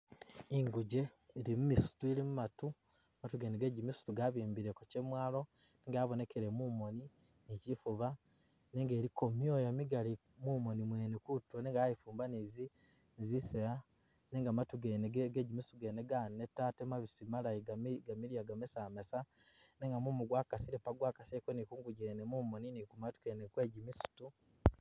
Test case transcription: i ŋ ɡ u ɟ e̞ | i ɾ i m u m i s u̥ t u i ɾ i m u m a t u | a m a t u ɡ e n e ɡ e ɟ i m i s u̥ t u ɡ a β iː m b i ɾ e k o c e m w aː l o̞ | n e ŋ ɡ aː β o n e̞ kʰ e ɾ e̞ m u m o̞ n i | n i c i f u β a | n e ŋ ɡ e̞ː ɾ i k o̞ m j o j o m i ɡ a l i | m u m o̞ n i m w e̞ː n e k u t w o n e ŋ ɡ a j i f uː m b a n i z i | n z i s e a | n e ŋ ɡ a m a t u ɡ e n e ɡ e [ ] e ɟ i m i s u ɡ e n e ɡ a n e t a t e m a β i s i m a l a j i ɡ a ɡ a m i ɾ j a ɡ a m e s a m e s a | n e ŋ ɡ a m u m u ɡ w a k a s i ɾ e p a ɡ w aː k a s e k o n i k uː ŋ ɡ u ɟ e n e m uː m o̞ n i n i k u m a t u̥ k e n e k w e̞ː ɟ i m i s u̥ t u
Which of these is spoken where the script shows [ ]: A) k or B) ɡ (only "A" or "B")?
B